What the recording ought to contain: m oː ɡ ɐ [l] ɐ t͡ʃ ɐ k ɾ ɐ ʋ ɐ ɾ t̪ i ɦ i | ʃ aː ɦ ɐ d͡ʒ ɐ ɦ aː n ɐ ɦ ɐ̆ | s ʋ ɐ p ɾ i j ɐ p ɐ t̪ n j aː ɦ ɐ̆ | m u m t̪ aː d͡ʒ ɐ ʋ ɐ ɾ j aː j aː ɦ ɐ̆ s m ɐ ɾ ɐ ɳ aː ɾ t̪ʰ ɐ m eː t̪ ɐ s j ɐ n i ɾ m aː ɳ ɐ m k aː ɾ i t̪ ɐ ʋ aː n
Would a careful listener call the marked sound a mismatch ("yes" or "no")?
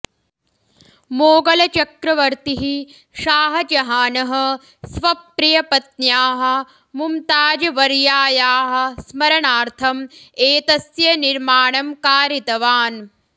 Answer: no